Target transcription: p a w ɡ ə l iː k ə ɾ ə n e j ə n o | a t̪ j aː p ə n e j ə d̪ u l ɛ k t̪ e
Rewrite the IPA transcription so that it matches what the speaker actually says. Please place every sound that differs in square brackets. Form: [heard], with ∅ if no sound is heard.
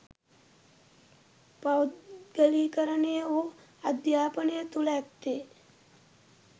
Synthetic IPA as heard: p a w ɡ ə l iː k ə ɾ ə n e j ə [∅] o | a [d̪] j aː p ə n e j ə [t̪] u l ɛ k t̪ e